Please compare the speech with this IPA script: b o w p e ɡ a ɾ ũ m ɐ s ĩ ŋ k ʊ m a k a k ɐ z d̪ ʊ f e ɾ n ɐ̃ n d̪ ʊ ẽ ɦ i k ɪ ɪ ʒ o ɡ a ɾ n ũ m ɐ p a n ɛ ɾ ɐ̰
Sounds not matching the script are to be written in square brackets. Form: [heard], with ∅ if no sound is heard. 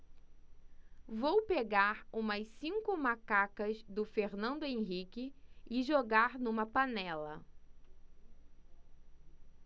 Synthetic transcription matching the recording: [v] o w p e ɡ a ɾ ũ m ɐ s ĩ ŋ k ʊ m a k a k ɐ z d̪ ʊ f e ɾ n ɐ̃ n d̪ ʊ ẽ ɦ i k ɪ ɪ ʒ o ɡ a ɾ n ũ m ɐ p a n ɛ [l] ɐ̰